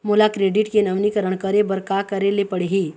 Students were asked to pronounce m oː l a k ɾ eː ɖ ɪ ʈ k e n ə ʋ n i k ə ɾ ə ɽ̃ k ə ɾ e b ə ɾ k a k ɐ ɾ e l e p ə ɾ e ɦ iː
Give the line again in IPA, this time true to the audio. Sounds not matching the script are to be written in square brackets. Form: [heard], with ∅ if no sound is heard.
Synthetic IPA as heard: m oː l a k ɾ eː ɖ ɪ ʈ k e n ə ʋ n i k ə ɾ ə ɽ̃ k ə ɾ e b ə ɾ k a k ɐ ɾ e l e p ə [ɽ] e ɦ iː